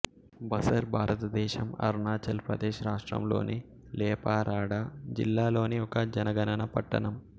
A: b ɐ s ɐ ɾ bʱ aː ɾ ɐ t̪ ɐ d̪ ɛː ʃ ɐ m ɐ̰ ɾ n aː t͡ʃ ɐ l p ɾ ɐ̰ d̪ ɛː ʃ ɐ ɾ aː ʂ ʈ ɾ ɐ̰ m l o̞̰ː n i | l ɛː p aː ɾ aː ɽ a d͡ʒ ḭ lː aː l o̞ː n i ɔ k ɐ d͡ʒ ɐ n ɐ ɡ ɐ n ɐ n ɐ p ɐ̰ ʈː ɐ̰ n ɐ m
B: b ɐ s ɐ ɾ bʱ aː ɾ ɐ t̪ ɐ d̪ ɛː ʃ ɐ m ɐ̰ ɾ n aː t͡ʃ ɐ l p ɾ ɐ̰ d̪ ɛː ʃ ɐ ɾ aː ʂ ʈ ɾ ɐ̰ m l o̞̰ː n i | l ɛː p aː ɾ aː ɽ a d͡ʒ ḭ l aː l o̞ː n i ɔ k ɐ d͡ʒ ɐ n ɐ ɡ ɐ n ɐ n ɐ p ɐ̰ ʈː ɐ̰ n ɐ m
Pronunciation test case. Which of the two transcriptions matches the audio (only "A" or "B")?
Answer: A